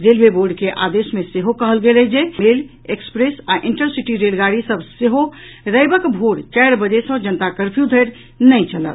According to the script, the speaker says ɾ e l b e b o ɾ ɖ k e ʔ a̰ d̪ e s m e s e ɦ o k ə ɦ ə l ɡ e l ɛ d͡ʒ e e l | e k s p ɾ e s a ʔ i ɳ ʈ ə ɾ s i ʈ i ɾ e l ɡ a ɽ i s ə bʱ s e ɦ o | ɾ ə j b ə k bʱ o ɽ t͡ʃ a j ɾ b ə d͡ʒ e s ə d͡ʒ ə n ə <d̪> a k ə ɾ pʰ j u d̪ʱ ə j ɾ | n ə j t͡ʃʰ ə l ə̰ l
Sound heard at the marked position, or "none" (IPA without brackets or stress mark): t̪